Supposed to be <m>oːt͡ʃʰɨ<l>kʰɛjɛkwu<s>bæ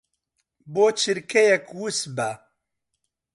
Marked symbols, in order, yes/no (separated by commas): no, no, yes